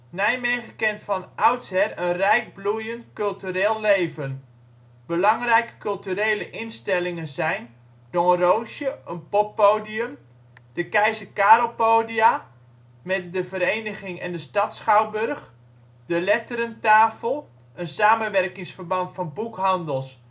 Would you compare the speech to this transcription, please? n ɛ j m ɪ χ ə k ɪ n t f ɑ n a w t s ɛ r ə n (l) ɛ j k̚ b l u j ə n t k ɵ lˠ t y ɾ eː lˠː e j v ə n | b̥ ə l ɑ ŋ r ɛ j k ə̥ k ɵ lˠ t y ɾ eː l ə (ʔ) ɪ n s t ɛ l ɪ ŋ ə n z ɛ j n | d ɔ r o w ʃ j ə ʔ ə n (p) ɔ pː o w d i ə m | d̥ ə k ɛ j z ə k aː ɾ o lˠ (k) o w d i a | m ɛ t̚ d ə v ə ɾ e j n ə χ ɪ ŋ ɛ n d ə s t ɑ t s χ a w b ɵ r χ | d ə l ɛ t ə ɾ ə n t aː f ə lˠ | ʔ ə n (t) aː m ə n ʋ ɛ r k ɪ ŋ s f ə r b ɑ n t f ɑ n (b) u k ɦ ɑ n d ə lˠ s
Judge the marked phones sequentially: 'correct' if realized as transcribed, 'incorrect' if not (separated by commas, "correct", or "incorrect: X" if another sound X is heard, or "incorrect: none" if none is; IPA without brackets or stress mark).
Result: incorrect: r, correct, correct, incorrect: p, incorrect: s, correct